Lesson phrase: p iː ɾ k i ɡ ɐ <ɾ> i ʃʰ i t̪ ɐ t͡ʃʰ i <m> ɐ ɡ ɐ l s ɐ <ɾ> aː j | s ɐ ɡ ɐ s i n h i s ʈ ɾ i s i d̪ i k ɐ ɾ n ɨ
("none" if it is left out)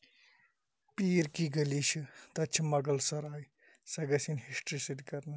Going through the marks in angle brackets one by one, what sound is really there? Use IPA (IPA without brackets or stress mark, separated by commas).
l, m, ɾ